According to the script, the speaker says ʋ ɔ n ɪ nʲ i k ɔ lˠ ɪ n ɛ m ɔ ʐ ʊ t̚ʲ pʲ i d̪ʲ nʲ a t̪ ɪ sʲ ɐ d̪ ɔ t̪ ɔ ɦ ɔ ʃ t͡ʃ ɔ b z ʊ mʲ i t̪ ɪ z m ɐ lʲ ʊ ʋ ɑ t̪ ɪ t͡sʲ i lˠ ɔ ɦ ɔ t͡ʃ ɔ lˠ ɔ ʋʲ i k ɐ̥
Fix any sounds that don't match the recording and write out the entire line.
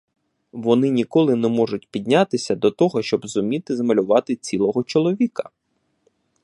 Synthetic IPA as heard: ʋ ɔ n ɪ nʲ i k ɔ lˠ ɪ n ɛ m ɔ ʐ ʊ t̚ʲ pʲ i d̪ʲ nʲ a t̪ ɪ sʲ ɐ d̪ ɔ t̪ ɔ ɦ ɔ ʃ t͡ʃ ɔ b z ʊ mʲ i t̪ ɪ z m ɐ lʲ ʊ ʋ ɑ t̪ ɪ t͡sʲ i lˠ ɔ ɦ ɔ t͡ʃ ɔ lˠ ɔ ʋʲ i k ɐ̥